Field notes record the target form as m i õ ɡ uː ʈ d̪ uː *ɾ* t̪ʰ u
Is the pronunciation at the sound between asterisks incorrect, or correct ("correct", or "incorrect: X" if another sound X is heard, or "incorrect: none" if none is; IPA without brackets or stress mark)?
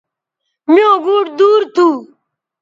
correct